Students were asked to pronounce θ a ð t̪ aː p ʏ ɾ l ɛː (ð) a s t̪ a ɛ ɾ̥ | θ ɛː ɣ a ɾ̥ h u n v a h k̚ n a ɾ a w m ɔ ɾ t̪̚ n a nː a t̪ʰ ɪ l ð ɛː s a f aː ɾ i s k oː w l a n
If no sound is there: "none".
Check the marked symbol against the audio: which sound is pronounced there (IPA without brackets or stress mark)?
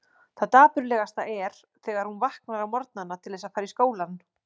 ɣ